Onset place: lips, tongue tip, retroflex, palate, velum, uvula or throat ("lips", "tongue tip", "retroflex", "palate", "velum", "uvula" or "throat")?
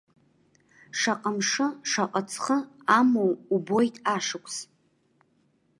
retroflex